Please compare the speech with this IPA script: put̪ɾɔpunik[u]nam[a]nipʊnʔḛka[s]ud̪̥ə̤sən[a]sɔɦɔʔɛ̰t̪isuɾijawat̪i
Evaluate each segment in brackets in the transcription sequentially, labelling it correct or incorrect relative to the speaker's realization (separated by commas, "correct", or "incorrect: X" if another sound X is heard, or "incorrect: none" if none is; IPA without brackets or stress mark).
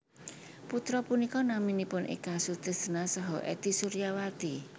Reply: incorrect: ɔ, incorrect: i, correct, correct